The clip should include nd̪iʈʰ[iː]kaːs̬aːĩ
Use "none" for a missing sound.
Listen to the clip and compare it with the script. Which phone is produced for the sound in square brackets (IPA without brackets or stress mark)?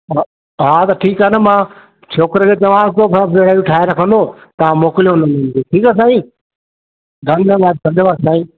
iː